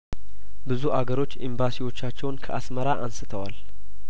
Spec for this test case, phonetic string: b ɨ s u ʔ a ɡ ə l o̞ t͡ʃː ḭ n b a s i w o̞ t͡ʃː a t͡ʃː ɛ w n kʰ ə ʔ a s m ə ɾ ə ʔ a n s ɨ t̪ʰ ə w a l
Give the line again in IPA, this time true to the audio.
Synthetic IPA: b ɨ z u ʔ a ɡ ə ɾ o̞ t͡ʃː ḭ m b a s i w o̞ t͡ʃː a t͡ʃː ɛ w n kʰ ə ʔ a s m ə ɾ a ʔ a n s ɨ t̪ʰ ə w a l